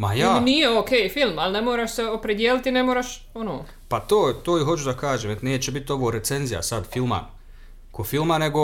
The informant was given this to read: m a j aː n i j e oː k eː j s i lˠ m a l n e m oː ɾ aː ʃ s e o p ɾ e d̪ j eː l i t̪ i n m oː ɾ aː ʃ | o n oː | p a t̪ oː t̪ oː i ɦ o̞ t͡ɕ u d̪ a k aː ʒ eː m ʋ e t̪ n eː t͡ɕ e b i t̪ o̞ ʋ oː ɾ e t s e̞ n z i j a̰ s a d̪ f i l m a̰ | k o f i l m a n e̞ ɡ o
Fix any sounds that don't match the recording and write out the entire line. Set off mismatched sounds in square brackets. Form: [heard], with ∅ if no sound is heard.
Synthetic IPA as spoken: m a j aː n i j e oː k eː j [f] i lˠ m a l n e m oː ɾ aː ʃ s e o p ɾ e d̪ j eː l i t̪ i n m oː ɾ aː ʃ | o n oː | p a t̪ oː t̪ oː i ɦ o̞ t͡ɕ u d̪ a k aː ʒ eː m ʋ e t̪ n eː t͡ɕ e b i t̪ o̞ ʋ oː ɾ e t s e̞ n z i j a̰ s a d̪ f i l m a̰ | k o f i l m a n e̞ ɡ o